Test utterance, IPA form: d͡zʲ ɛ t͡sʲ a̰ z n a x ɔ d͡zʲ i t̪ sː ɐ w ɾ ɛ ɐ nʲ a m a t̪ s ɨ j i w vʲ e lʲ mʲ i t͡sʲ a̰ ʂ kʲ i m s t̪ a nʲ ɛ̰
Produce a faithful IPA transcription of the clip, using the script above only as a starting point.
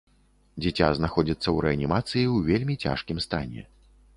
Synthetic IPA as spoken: d͡zʲ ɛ t͡sʲ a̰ z n a x ɔ d͡zʲ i t̪ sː ɐ w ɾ ɛ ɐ nʲ i m a t̪ s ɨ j i w vʲ e lʲ mʲ i t͡sʲ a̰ ʂ kʲ i m s t̪ a nʲ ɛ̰